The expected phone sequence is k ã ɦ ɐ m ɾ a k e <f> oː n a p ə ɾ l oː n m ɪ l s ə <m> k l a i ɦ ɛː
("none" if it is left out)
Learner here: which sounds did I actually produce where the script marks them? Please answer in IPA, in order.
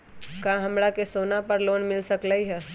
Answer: s, none

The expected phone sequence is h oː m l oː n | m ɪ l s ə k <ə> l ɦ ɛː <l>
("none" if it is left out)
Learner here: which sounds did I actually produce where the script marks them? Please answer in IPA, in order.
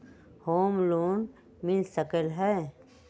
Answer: ə, none

